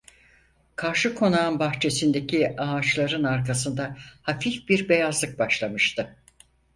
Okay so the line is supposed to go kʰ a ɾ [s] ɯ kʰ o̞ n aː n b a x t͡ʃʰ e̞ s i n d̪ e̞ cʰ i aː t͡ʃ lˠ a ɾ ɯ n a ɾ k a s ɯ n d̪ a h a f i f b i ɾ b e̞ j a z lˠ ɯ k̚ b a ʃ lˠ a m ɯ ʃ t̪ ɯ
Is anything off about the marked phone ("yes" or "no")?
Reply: yes